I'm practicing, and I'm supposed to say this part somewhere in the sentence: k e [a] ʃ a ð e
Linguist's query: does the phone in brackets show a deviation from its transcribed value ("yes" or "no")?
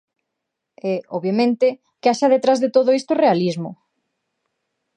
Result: no